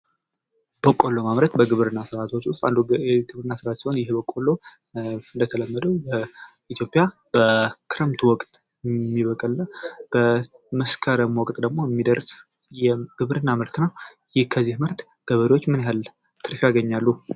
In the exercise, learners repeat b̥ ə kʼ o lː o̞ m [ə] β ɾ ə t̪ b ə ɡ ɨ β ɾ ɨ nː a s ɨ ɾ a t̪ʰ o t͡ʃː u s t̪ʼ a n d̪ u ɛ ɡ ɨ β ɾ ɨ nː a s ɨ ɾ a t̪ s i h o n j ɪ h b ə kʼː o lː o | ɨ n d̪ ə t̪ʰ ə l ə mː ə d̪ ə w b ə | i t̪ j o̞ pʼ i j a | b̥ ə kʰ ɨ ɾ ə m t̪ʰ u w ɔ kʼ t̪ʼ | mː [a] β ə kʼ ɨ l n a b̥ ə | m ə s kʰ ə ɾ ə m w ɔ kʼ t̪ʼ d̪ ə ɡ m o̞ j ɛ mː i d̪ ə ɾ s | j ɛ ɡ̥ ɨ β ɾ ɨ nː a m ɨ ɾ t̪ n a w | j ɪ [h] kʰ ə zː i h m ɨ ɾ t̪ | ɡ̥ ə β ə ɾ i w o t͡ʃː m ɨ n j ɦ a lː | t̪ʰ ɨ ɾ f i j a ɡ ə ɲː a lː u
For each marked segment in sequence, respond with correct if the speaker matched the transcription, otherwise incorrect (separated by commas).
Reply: incorrect, incorrect, correct